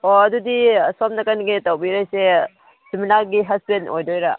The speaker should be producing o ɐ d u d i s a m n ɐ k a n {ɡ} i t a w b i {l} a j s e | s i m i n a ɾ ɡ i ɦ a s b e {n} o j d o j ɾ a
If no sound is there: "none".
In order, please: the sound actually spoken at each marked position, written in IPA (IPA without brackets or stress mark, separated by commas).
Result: ɡ, ɾ, n